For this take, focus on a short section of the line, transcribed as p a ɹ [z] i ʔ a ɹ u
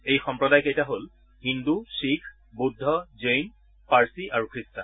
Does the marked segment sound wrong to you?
yes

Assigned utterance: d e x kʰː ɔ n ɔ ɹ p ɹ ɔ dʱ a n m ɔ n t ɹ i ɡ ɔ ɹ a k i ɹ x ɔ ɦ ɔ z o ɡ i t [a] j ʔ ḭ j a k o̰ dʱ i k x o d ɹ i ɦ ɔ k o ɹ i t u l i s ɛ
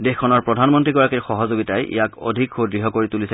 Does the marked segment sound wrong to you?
no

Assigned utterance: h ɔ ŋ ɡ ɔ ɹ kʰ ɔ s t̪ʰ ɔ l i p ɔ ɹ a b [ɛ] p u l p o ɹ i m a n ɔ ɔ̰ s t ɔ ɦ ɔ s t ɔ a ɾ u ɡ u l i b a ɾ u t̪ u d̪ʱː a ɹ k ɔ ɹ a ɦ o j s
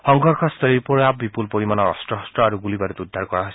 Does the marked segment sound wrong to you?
yes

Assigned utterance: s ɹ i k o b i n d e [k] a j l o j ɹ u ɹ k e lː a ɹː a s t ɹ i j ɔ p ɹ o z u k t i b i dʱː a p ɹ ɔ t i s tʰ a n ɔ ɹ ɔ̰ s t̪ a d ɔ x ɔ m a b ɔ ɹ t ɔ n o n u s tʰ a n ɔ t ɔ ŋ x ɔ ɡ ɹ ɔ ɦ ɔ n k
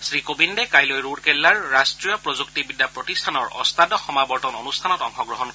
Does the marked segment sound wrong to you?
no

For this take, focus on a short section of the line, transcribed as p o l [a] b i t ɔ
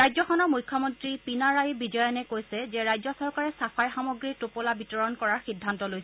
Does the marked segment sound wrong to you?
no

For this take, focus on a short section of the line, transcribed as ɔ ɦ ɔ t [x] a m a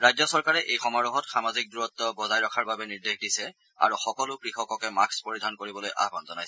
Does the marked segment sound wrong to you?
no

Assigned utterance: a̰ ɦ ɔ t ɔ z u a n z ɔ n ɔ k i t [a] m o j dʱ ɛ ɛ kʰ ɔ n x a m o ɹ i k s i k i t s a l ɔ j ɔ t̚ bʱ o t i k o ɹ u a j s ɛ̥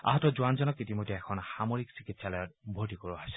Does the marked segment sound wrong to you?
yes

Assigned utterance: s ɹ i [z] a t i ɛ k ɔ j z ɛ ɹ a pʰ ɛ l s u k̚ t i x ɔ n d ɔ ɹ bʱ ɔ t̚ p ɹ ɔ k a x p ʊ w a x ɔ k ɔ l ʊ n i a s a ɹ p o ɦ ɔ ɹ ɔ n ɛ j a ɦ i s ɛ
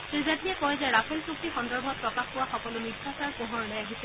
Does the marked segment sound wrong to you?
no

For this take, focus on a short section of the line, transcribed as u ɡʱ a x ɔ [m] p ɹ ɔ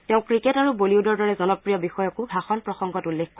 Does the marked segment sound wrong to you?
yes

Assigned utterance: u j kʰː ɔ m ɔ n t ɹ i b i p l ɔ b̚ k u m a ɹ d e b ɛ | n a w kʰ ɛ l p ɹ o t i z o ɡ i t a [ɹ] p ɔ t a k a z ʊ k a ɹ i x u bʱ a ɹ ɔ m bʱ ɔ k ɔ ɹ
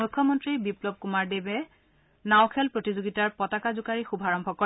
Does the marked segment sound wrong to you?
no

